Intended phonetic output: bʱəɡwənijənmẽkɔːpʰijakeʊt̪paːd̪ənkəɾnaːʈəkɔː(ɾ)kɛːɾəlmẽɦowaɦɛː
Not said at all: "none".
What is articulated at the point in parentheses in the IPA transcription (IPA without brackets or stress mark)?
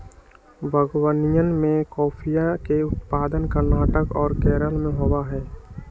ɾ